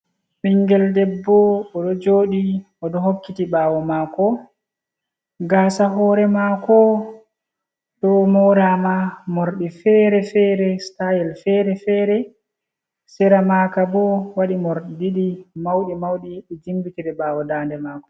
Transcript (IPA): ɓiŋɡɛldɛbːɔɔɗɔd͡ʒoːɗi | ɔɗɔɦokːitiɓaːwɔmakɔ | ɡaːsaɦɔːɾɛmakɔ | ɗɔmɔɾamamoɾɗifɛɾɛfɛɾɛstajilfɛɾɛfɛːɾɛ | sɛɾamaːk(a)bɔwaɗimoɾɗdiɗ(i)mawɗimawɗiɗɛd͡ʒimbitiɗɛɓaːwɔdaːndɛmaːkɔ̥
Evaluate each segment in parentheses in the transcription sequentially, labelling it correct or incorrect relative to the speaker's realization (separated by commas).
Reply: correct, correct